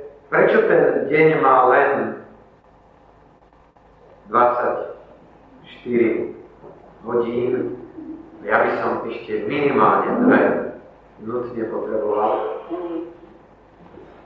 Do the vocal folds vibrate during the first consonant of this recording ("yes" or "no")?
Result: no